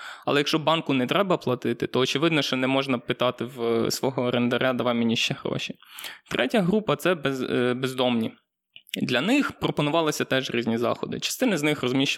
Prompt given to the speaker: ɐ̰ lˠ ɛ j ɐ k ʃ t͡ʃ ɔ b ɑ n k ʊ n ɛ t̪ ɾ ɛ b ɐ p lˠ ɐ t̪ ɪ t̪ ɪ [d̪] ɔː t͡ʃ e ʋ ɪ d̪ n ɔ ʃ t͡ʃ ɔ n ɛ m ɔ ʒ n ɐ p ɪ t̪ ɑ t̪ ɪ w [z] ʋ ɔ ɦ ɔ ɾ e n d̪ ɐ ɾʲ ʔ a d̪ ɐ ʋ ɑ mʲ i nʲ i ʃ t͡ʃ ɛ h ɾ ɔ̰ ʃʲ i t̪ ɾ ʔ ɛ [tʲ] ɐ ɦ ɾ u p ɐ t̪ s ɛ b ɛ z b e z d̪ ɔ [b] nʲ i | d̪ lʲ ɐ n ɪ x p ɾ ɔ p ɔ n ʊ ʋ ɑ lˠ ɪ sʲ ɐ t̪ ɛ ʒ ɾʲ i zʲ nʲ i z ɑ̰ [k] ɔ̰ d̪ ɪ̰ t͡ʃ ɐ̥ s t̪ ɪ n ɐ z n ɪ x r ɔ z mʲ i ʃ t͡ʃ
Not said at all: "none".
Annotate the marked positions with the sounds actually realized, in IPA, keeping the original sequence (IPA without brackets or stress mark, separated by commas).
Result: t̪, s, tʲ, m, x